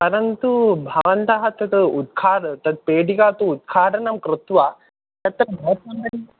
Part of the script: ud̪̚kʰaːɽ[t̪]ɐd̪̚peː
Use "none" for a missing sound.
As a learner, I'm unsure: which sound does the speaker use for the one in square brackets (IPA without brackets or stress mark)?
t̪